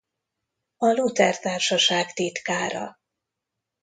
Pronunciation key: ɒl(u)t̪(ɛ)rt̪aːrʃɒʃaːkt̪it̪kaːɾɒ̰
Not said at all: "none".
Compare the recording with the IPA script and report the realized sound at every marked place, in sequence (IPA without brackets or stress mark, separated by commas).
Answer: u, ɛ